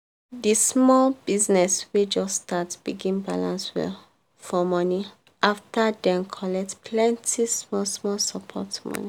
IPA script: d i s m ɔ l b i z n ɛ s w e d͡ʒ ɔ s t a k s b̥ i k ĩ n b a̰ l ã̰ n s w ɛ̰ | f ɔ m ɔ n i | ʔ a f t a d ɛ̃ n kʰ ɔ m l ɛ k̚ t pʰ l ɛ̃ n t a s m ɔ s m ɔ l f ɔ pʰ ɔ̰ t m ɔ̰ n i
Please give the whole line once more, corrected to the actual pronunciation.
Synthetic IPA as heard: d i s m ɔ l b i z n ɛ s w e d͡ʒ ɔ s t a t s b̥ i ɡ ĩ n b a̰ l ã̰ n s w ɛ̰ | f ɔ m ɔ n i | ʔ a f t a d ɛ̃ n kʰ ɔ l ɛ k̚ t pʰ l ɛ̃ n t i s m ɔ s m ɔ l s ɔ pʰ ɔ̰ t m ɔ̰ n i